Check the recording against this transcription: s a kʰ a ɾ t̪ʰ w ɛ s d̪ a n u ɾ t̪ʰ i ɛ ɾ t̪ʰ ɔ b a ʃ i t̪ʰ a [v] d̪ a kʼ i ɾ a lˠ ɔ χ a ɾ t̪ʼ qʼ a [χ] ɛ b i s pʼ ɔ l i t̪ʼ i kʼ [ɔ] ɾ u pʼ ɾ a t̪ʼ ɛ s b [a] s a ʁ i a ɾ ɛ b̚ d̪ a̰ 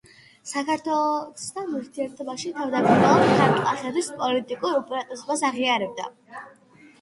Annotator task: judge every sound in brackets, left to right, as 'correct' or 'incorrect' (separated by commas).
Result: correct, correct, incorrect, correct